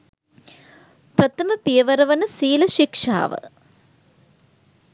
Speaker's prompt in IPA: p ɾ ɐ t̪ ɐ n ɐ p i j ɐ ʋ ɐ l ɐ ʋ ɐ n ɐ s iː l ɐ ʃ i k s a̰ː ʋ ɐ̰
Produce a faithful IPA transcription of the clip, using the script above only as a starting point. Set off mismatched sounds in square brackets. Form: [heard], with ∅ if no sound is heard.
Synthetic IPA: p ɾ ɐ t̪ ɐ [m] ɐ p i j ɐ ʋ ɐ [ɾ] ɐ ʋ ɐ n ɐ s iː l ɐ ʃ i k [ʂ] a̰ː ʋ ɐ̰